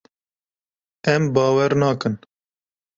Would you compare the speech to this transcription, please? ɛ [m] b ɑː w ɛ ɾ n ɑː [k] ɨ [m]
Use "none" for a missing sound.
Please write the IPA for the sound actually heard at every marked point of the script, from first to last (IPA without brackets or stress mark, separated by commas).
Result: m, k, n